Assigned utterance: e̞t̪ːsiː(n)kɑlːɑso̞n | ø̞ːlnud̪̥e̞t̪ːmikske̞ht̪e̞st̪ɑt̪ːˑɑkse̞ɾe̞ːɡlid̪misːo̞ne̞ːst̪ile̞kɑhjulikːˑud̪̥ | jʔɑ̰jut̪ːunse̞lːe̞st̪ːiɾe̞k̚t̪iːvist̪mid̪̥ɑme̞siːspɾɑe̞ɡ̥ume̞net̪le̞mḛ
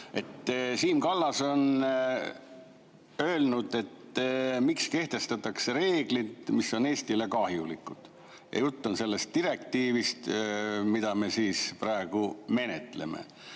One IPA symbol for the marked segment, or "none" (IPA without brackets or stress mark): m